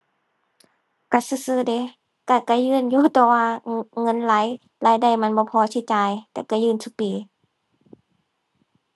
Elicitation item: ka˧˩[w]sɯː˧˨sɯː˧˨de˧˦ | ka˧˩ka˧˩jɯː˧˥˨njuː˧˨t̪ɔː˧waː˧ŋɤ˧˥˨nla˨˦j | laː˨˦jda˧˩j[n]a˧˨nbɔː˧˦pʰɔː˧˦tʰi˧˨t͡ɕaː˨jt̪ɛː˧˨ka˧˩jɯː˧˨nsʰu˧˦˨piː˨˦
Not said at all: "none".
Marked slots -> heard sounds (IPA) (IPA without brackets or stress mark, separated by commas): none, m